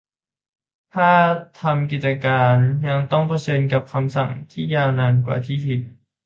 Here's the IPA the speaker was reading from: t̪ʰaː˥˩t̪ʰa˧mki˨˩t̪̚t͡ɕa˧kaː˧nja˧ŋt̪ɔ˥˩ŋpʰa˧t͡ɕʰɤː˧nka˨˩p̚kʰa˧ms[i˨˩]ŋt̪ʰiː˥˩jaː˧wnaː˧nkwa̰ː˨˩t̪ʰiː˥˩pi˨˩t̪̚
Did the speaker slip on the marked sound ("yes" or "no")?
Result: yes